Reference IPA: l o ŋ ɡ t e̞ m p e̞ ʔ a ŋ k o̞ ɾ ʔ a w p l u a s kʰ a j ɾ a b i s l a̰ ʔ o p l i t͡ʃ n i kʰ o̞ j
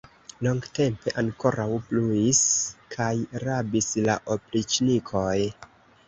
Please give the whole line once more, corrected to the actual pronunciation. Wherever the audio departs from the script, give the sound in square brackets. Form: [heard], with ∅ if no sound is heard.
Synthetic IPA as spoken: l o ŋ ɡ t e̞ m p e̞ ʔ a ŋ k o̞ ɾ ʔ a w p l u [i] s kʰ a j ɾ a b i s l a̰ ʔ o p l i t͡ʃ n i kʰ o̞ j